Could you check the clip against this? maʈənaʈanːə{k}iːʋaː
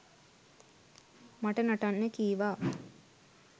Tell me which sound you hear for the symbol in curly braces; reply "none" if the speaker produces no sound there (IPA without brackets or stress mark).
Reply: k